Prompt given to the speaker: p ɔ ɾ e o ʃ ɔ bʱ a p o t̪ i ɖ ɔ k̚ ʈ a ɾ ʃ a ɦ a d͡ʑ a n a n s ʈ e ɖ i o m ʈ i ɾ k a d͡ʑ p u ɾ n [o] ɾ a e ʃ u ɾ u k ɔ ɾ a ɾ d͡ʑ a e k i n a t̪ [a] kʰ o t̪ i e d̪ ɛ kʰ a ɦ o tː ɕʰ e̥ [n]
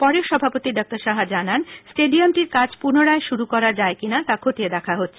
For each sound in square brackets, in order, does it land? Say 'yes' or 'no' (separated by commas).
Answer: yes, yes, no